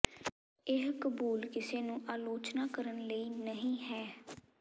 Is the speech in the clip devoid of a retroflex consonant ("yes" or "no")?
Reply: yes